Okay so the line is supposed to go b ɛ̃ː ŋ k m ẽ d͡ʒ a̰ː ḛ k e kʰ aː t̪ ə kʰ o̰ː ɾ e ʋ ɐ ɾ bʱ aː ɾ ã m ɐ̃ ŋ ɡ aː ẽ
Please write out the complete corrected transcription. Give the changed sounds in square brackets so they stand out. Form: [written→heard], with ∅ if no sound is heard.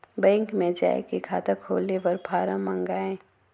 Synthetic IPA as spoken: b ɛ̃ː ŋ k m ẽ d͡ʒ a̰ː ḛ k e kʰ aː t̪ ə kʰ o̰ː [ɾ→l] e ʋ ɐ ɾ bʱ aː ɾ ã m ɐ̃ ŋ ɡ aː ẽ

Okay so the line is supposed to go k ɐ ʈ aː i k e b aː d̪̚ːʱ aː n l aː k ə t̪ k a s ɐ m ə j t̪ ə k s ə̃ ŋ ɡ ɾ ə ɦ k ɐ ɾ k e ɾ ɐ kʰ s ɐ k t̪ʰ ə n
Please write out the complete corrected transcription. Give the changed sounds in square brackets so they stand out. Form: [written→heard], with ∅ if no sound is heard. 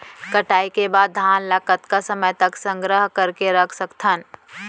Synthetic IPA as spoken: k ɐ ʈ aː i k e b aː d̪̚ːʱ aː n l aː k ə t̪ k a s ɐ m ə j t̪ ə k s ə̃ ŋ ɡ ɾ ə ɦ k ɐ ɾ k e ɾ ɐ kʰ s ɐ k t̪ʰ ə n

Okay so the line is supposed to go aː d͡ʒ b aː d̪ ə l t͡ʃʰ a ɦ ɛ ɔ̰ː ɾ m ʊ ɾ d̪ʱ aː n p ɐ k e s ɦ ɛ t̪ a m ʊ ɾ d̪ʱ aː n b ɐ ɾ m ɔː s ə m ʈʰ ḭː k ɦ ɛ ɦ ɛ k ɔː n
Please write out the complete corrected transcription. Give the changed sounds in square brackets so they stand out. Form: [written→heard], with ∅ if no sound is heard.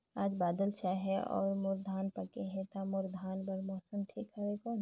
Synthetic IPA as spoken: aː d͡ʒ b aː d̪ ə l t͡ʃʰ a ɦ ɛ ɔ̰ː ɾ m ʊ ɾ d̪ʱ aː n p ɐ k e [s→∅] ɦ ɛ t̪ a m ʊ ɾ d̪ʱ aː n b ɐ ɾ m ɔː s ə m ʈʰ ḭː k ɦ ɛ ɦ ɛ k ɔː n

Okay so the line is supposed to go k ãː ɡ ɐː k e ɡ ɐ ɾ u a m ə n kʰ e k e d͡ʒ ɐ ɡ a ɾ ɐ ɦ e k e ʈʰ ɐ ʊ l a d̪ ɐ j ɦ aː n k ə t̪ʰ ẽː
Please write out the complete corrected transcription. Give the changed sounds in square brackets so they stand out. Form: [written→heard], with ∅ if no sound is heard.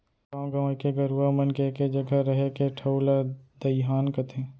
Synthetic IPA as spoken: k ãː ɡ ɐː k e ɡ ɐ ɾ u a m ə n [kʰ→k] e k e d͡ʒ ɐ ɡ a ɾ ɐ ɦ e k e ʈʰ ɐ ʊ l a d̪ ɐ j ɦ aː n k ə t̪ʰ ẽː

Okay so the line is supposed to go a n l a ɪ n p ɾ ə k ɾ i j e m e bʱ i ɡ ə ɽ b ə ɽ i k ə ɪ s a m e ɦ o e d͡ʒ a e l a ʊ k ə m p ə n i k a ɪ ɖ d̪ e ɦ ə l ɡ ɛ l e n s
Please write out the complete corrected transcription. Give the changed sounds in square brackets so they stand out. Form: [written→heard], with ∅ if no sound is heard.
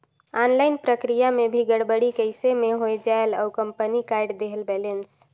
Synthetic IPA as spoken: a n l a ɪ n p ɾ ə k ɾ i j [e→a] m e bʱ i ɡ ə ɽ b ə ɽ i k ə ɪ s [a→e] m e ɦ o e d͡ʒ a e l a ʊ k ə m p ə n i k a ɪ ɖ d̪ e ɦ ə l [ɡ→b] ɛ l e n s

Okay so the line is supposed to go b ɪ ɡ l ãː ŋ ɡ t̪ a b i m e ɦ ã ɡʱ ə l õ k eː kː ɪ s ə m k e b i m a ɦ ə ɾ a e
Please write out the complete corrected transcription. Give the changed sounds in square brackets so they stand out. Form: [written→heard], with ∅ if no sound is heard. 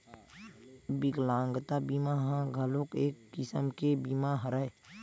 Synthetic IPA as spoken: b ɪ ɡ l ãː ŋ ɡ t̪ a b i m [e→a] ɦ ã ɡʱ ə l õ k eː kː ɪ s ə m k e b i m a ɦ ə ɾ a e

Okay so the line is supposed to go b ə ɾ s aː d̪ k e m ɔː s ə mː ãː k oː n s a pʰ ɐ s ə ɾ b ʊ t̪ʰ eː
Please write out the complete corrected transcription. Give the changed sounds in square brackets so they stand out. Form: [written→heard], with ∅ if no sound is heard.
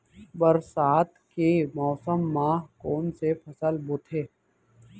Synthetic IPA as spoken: b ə ɾ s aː [d̪→t̪] k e m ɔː s ə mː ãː k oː n s [a→e] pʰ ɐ s ə [ɾ→l] b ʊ t̪ʰ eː

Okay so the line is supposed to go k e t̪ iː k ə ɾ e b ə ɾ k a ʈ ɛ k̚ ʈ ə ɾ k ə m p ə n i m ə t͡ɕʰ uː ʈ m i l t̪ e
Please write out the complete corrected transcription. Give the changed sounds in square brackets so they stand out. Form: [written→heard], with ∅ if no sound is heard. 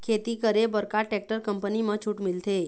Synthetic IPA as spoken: [k→kʰ] e t̪ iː k ə ɾ e b ə ɾ k a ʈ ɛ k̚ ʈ ə ɾ k ə m p ə n i m ə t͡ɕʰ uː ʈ m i l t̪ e

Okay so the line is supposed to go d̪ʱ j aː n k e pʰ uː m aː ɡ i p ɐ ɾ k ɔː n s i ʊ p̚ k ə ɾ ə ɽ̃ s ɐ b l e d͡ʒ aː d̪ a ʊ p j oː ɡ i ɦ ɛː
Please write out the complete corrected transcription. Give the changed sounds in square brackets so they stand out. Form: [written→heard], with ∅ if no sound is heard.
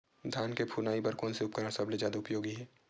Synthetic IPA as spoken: d̪ʱ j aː n k e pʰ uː [m→n] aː [ɡ→∅] i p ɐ ɾ k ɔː n s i ʊ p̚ k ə ɾ ə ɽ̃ s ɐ b l e d͡ʒ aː d̪ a ʊ p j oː ɡ i ɦ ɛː

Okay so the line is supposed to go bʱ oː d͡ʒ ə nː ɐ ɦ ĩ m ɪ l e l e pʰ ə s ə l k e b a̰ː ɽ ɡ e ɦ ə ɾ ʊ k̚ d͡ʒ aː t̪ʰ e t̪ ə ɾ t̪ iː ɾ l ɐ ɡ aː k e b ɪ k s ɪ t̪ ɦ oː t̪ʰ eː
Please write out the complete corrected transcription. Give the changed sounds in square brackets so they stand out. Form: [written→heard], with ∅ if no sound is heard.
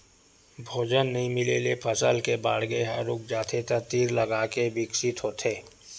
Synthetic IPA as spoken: bʱ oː d͡ʒ ə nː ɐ ɦ ĩ m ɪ l e l e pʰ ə s ə l k e b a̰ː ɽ ɡ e ɦ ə ɾ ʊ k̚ d͡ʒ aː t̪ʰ e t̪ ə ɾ t̪ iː ɾ l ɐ ɡ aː k e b ɪ k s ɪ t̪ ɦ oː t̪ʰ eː

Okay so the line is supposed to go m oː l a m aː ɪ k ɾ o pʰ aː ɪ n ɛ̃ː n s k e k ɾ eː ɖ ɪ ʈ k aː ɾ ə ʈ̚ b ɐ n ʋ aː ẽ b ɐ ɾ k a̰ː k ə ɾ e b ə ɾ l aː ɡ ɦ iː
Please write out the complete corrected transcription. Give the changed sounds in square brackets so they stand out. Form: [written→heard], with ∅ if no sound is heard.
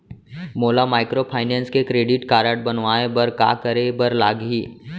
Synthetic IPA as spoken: m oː l a m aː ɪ k ɾ o pʰ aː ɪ n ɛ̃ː n s k e k ɾ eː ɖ ɪ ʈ k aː ɾ ə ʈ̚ b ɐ n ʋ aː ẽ b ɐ ɾ k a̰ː k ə ɾ e b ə ɾ l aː ɡ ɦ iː

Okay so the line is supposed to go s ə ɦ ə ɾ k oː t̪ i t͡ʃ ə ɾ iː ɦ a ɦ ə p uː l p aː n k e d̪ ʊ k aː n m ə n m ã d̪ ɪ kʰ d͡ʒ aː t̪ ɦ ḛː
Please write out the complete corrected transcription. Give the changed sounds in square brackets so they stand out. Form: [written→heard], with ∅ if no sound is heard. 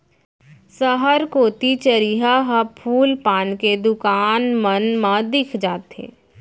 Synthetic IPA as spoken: s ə ɦ ə ɾ k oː t̪ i t͡ʃ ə ɾ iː ɦ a ɦ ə [p→pʰ] uː l p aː n k e d̪ ʊ k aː n m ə n m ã d̪ ɪ kʰ d͡ʒ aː t̪ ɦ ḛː

